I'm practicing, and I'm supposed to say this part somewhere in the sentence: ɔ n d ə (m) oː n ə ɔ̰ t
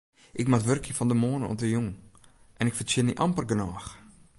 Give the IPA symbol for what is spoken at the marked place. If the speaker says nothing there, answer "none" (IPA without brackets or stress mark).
m